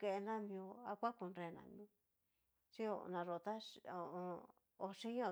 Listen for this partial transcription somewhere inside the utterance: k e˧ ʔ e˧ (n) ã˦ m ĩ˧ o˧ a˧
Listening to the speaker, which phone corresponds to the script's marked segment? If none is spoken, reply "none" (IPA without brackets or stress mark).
n